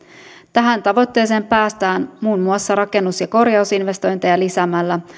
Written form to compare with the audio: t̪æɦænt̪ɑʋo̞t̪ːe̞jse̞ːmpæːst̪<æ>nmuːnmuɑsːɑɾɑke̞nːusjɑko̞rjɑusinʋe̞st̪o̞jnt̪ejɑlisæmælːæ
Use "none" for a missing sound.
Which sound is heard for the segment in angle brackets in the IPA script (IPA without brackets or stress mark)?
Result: æː